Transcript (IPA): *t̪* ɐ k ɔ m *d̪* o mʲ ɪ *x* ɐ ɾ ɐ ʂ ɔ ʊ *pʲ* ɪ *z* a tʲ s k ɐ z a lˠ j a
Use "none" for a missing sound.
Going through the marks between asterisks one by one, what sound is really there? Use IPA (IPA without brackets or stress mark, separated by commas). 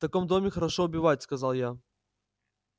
t̪, d̪, x, bʲ, v